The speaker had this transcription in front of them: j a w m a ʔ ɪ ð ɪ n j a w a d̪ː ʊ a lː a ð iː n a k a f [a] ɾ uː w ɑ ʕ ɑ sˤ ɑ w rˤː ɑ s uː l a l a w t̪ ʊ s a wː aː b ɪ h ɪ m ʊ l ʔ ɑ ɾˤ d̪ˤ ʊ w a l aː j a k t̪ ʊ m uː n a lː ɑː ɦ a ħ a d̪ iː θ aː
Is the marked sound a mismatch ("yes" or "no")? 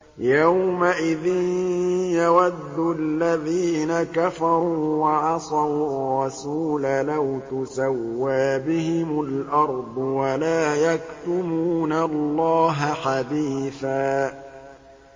yes